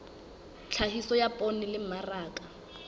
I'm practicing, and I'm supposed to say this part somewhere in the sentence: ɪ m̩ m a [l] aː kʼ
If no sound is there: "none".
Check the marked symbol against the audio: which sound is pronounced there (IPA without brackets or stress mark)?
r